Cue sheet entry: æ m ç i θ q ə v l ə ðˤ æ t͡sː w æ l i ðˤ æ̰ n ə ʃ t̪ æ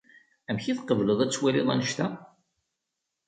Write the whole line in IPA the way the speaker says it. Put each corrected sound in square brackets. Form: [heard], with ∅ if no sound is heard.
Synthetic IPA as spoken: æ m ç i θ q ə v l ə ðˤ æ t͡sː w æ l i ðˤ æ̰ n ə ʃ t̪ æ